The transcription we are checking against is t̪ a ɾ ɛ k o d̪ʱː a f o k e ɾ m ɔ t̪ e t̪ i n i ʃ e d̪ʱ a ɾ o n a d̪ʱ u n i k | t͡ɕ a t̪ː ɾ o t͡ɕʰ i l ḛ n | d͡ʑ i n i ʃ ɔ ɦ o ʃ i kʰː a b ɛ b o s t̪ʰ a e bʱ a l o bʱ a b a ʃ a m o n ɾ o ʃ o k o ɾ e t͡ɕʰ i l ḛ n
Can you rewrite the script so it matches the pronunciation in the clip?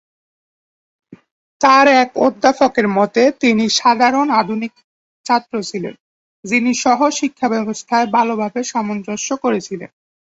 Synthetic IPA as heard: t̪ a ɾ ɛ k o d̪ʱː a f o k e ɾ m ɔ t̪ e t̪ i n i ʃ a d̪ʱ a ɾ o n a d̪ʱ u n i k | t͡ɕ a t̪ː ɾ o t͡ɕʰ i l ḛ n | d͡ʑ i n i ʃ ɔ ɦ o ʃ i kʰː a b ɛ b o s t̪ʰ a e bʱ a l o bʱ a b e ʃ a m o n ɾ o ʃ o k o ɾ e t͡ɕʰ i l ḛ n